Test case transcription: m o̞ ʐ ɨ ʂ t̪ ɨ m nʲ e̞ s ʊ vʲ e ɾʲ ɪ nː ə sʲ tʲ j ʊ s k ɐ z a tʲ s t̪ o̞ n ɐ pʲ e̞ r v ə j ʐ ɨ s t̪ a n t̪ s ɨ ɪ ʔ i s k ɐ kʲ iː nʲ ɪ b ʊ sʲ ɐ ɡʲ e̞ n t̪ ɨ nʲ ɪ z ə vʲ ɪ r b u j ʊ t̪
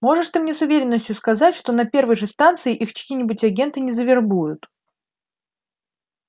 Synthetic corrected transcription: m o̞ ʐ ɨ ʂ t̪ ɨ m nʲ e̞ s ʊ vʲ e ɾʲ ɪ nː ə sʲ tʲ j ʊ s k ɐ z a tʲ ʂ t̪ o̞ n ɐ pʲ e̞ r v ə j ʐ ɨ s t̪ a n t̪ s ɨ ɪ ʔ i x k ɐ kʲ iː nʲ ɪ b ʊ tʲ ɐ ɡʲ e̞ n t̪ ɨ nʲ ɪ z ə vʲ ɪ r b u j ʊ t̪